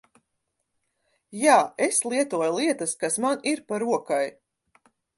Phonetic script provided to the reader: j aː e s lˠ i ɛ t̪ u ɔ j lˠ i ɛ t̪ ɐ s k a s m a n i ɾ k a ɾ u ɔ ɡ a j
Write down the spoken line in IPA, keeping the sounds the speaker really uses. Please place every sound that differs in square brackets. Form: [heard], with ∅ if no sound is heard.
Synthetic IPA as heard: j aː e s lˠ i ɛ t̪ u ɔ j lˠ i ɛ t̪ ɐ s k a s m a n i ɾ [p] a ɾ u ɔ [k] a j